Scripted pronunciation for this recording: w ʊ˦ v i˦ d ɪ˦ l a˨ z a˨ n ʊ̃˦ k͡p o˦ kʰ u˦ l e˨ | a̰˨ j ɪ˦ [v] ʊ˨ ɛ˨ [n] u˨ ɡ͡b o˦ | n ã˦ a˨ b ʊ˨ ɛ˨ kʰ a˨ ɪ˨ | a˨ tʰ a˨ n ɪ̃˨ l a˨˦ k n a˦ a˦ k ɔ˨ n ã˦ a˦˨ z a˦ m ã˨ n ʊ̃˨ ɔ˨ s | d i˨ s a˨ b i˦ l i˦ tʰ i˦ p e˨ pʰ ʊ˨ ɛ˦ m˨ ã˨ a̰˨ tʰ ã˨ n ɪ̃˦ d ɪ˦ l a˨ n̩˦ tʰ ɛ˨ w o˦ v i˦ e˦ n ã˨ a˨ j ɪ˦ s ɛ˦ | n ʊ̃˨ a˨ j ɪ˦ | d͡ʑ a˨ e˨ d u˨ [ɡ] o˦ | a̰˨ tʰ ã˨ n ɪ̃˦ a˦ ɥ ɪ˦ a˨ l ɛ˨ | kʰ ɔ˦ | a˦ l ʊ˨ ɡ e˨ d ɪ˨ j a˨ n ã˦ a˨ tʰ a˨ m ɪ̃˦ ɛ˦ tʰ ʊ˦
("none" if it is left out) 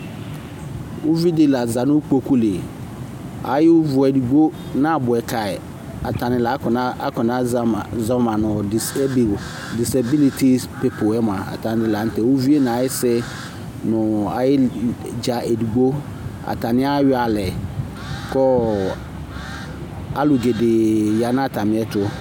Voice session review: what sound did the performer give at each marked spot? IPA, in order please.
v, d, ɡ͡b

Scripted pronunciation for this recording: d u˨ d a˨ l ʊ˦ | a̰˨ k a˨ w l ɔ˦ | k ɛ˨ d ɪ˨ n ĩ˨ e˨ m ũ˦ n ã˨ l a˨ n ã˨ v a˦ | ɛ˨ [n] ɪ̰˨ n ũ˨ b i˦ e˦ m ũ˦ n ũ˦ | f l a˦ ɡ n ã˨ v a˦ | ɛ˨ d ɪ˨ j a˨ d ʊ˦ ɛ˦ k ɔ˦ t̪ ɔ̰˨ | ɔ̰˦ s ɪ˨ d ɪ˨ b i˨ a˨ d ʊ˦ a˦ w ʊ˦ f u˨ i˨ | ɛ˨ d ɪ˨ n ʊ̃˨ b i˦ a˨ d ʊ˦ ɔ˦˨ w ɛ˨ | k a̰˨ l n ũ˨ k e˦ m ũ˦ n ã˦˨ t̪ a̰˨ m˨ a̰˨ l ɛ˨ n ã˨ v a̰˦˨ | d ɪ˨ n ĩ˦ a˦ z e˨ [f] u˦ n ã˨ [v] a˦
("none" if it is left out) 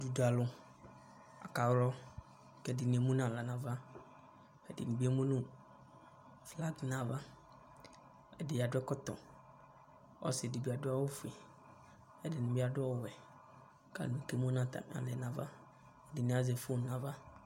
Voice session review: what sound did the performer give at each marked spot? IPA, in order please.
d, f, v

